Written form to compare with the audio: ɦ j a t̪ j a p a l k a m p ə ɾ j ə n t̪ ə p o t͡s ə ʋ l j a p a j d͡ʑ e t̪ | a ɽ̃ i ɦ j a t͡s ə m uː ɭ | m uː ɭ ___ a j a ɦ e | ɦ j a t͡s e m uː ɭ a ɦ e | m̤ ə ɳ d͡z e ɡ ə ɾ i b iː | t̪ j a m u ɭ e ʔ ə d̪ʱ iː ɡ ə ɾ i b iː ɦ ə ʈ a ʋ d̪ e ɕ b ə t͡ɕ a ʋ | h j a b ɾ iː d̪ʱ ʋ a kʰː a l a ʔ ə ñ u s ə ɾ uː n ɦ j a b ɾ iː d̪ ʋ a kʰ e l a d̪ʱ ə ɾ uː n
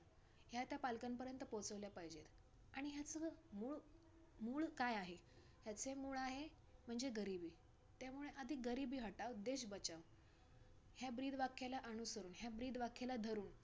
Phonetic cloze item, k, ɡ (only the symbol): k